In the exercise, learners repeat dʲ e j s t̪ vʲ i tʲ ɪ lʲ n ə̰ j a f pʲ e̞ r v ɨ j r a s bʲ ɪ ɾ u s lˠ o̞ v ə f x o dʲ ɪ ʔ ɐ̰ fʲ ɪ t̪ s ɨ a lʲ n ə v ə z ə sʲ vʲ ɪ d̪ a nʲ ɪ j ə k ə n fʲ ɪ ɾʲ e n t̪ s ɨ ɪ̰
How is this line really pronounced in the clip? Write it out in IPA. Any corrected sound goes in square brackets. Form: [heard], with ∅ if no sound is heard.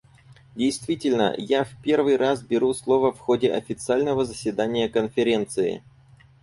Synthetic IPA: dʲ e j s t̪ vʲ i tʲ ɪ lʲ n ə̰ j a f pʲ e̞ r v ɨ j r a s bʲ ɪ ɾ u s lˠ o̞ v ə f x o dʲ ɪ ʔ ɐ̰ fʲ ɪ t̪ s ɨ a lʲ n ə v ə z ə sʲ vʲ ɪ d̪ a nʲ ɪ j ə k ə n fʲ ɪ ɾʲ e n t̪ s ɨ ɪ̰

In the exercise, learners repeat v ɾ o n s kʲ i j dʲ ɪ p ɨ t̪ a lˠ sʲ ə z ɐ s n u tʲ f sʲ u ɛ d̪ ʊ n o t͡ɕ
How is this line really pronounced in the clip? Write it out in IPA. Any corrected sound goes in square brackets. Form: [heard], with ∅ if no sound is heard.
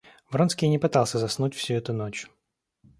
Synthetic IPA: v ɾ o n s kʲ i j [nʲ] ɪ p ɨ t̪ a lˠ sʲ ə z ɐ s n u tʲ f sʲ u ɛ [t̪] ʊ n o t͡ɕ

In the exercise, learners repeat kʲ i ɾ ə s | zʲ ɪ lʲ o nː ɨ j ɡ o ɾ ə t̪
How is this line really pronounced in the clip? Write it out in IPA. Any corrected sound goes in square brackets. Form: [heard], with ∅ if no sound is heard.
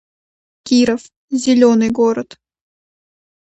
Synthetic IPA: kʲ i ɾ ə [f] | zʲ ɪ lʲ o [n] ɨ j ɡ o ɾ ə t̪

